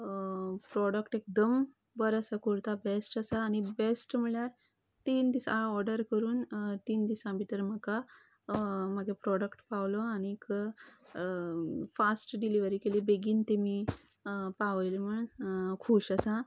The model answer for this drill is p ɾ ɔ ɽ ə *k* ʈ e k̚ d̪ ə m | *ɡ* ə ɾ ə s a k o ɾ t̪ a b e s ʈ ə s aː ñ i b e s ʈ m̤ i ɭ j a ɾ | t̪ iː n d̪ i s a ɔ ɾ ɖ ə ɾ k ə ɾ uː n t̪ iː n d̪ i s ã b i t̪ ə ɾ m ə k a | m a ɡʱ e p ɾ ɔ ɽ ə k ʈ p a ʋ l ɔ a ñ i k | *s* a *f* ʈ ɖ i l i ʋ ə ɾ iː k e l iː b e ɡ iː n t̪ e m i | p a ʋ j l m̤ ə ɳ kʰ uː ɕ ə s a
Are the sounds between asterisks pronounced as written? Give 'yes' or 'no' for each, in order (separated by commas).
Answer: yes, no, no, no